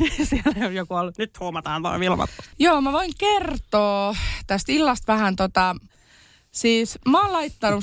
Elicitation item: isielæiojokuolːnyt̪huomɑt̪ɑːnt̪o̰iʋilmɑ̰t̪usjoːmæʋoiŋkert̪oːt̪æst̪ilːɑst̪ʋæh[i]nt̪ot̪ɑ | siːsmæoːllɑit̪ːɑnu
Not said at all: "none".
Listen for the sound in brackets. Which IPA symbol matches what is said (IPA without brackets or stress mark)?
æ